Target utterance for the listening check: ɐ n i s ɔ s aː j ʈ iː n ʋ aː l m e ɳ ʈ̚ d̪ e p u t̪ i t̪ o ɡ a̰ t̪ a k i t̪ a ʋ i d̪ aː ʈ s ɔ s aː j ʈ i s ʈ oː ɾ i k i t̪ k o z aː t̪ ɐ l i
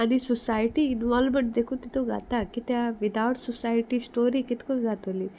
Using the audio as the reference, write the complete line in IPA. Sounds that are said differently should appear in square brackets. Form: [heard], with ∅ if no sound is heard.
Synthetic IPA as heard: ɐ n i s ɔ s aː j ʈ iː n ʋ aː l m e ɳ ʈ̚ d̪ e [k] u t̪ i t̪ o ɡ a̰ t̪ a k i t̪ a ʋ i d̪ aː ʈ s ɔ s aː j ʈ i s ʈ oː ɾ i k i t̪ k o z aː t̪ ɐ l i

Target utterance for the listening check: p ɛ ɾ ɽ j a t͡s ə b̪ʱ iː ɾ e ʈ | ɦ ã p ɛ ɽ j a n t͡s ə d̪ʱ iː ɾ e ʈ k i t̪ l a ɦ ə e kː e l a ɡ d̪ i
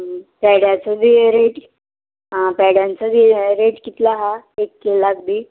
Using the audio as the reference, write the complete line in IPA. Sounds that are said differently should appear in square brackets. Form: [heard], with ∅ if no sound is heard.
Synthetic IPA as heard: p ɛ [∅] ɽ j a t͡s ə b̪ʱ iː ɾ e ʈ | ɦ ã p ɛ ɽ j a n t͡s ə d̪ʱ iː ɾ e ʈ k i t̪ l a ɦ [a] e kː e l a ɡ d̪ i

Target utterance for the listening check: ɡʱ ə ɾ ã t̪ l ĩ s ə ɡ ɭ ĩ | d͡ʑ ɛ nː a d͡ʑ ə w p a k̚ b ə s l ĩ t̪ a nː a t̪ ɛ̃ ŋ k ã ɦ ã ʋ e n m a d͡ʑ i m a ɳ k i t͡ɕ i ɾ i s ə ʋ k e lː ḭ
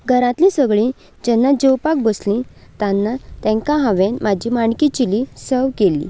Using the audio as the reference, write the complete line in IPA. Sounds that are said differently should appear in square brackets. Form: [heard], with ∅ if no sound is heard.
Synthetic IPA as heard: ɡʱ ə ɾ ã t̪ l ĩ s ə ɡ ɭ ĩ | d͡ʑ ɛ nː a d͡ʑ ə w p a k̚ b ə s l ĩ t̪ a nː a t̪ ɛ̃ ŋ k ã ɦ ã ʋ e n m a d͡ʑ i m a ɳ k i t͡ɕ i [l] i s ə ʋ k e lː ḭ

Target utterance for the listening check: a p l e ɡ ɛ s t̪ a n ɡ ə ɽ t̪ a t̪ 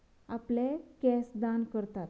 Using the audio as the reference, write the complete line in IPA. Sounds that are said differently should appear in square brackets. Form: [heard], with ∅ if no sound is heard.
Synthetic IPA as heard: a p l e [k] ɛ s [d̪] a n [k] ə [ɾ] t̪ a t̪

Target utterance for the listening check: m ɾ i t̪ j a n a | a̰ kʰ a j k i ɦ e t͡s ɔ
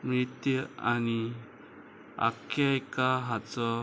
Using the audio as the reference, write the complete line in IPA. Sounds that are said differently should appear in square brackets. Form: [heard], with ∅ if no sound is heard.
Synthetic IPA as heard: m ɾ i t̪ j a n [i] | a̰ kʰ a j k [a] ɦ [a] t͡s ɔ

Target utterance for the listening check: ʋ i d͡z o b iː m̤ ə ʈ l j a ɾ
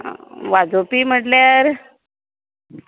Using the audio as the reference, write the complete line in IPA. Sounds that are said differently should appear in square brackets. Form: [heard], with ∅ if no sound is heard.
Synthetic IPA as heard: ʋ [a] d͡z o [p] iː m̤ ə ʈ l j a ɾ

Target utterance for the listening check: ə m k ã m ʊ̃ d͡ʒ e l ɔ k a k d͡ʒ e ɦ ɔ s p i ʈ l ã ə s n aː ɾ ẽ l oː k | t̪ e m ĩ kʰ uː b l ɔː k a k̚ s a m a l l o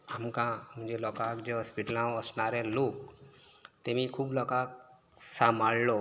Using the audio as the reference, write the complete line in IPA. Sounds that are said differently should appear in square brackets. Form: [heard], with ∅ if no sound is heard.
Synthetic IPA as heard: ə m k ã m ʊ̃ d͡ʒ e l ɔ k a k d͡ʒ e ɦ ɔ s p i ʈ l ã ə s n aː ɾ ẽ l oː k | t̪ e m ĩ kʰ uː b l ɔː k a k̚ s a m a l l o

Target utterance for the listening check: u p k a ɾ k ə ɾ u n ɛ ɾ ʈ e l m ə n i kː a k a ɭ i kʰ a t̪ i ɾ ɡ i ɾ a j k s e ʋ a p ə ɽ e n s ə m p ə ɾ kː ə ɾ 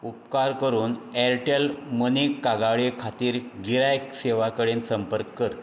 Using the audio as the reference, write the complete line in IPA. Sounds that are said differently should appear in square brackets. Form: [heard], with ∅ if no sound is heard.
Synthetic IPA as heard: u p k a ɾ k ə ɾ [uː] n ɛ ɾ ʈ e l m ə n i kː a [ɡ] a ɭ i kʰ a t̪ [iː] ɾ ɡ i ɾ a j k s e ʋ a [k] ə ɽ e n s ə m p ə ɾ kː ə ɾ

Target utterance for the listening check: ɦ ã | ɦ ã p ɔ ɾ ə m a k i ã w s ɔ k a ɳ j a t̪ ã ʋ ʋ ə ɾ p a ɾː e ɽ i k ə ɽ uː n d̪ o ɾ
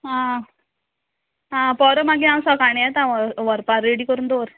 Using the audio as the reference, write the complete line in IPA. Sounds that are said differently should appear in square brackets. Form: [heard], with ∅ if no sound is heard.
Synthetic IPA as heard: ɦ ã | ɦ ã p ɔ ɾ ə m a [ɡ] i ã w s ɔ k a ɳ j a t̪ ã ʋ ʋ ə ɾ p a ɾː e ɽ i k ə [ɾ] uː n d̪ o ɾ

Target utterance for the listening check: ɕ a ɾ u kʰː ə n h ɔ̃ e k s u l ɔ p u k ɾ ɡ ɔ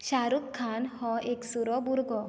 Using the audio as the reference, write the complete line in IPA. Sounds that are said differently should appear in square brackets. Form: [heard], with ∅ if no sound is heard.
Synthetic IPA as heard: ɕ a ɾ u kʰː [a] n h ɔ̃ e k s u [ɾ] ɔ [b] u [∅] ɾ ɡ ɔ

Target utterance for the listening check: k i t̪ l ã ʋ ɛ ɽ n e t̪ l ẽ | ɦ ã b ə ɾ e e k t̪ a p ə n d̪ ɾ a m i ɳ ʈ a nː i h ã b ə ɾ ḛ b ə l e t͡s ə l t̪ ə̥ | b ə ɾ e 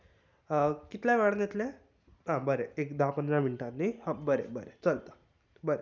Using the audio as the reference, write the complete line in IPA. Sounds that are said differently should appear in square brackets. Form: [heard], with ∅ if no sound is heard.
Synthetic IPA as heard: k i t̪ l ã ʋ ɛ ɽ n e t̪ l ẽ | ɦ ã b ə ɾ e e k [d̪] a p ə n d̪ ɾ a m i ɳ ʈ a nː i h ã b ə ɾ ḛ b ə [ɾ] e t͡s ə l t̪ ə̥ | b ə ɾ e

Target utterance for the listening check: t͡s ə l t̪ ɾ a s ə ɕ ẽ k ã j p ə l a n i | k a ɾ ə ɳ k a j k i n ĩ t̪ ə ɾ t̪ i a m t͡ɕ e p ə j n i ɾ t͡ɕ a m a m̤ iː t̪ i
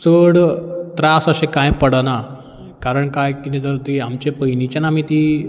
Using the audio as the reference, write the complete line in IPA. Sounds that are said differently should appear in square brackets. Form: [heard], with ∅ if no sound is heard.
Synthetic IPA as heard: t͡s ə [ɽ] t̪ ɾ a s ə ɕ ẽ k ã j p ə [ɽ] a n [a] | k a ɾ ə ɳ k a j k i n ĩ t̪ ə ɾ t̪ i a m t͡ɕ e p ə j n i [∅] t͡ɕ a [n] a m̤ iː t̪ i

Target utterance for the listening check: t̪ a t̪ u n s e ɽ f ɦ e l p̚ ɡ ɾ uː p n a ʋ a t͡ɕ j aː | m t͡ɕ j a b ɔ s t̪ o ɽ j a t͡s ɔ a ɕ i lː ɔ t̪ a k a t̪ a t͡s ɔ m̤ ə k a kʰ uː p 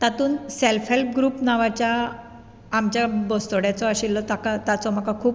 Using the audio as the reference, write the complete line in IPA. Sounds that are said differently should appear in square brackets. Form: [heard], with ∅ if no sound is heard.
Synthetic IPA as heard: t̪ a t̪ [uː] n s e [l] f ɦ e l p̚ ɡ ɾ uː p n a ʋ a t͡ɕ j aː | m t͡ɕ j a b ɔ s t̪ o ɽ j a t͡s ɔ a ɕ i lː ɔ t̪ a k a t̪ a t͡s ɔ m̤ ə k a kʰ uː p

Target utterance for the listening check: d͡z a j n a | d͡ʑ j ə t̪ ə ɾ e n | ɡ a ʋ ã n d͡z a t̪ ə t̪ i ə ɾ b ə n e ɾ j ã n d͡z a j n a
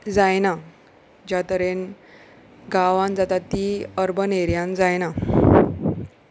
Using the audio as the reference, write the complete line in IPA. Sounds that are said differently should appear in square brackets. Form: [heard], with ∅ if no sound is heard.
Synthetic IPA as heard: d͡z a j n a | d͡ʑ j [a] t̪ ə ɾ e n | ɡ a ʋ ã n d͡z a t̪ [a] t̪ i ə ɾ b ə n e ɾ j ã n d͡z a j n a

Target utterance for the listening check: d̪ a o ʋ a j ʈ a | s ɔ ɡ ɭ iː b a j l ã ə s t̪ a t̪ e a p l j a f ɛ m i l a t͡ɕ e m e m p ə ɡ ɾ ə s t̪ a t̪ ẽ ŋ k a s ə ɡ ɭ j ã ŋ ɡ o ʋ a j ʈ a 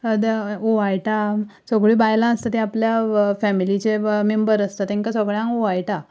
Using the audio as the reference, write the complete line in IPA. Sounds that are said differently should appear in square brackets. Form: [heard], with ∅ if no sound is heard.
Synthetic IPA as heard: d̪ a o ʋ a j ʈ a | s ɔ ɡ ɭ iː b a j l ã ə s t̪ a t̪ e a p l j a f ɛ m i l [i] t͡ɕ e m e m [b] ə [∅] ɾ ə s t̪ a t̪ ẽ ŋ k a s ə ɡ ɭ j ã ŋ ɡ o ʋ a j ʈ a

